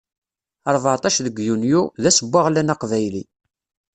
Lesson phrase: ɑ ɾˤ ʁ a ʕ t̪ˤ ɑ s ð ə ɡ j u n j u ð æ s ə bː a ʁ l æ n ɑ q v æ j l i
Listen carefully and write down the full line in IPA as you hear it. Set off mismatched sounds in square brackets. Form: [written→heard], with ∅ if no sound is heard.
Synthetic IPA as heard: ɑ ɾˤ [ʁ→v] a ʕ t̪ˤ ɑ [s→ʃ] ð ə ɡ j u n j u ð æ s ə bː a ʁ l æ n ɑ q v æ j l i